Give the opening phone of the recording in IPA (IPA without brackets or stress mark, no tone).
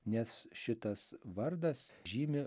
nʲ